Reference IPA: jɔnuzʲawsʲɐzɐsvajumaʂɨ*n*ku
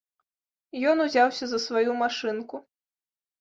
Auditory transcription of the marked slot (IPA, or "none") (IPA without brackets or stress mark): n